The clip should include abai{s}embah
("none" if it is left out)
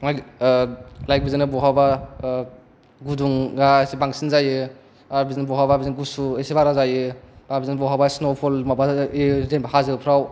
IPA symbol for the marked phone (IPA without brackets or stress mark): z